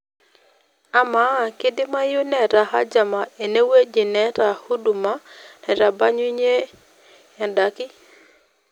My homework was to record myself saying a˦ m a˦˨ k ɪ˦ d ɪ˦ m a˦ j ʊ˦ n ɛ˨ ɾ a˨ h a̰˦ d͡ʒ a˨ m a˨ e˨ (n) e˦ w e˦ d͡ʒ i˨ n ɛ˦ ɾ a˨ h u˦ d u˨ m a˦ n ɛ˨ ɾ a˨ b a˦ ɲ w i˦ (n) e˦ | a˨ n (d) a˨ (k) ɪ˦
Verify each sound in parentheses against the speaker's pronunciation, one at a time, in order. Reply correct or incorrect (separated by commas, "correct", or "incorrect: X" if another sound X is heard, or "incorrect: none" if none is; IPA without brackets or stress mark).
correct, incorrect: ɲ, correct, correct